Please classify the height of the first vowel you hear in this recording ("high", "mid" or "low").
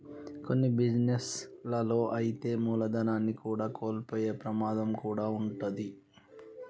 mid